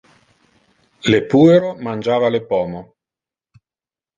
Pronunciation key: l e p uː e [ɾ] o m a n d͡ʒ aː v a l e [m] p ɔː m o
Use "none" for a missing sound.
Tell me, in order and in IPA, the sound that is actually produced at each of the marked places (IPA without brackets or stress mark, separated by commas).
ɾ, none